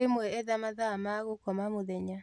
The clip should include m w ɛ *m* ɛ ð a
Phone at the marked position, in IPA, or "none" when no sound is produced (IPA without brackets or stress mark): none